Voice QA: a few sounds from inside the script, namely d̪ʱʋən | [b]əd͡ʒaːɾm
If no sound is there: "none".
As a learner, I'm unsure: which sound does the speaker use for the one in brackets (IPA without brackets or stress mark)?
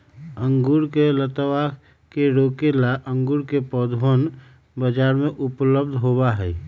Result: b